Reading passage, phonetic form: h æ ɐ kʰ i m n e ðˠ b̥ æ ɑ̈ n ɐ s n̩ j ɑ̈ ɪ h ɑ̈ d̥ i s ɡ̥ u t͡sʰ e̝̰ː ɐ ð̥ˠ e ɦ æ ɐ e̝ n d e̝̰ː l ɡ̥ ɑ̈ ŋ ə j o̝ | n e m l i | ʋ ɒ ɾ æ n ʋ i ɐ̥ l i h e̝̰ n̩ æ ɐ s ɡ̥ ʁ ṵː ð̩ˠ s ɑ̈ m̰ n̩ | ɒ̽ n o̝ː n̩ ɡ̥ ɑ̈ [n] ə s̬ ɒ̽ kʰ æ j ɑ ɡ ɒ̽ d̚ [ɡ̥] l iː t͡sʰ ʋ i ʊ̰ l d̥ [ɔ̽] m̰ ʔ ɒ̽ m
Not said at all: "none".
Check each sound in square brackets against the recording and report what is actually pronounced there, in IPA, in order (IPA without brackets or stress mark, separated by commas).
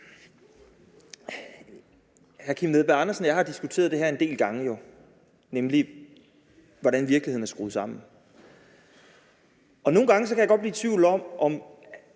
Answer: ŋ, b̥, ɒ̽